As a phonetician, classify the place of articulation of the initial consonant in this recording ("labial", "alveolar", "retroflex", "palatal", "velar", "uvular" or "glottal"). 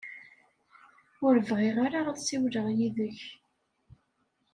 alveolar